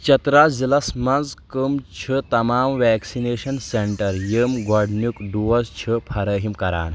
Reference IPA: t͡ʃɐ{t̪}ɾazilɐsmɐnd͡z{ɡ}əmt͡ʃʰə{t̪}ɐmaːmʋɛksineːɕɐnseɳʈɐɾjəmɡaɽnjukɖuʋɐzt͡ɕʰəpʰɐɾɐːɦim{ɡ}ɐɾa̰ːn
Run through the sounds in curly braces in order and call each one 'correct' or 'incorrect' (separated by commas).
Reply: correct, incorrect, correct, incorrect